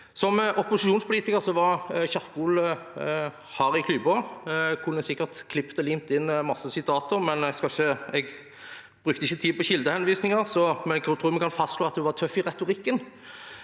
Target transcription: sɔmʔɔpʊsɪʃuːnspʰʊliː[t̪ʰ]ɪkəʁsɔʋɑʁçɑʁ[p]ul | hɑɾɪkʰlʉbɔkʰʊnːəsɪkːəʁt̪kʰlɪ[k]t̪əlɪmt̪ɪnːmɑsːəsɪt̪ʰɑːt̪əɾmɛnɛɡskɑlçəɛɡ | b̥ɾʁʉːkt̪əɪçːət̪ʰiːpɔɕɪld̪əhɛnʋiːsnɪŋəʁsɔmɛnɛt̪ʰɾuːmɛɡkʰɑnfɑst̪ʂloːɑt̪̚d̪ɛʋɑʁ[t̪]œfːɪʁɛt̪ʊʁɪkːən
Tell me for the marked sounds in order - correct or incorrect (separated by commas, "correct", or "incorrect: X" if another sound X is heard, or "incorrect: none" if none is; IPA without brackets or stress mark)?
incorrect: t̪, incorrect: k, incorrect: p, incorrect: t̪ʰ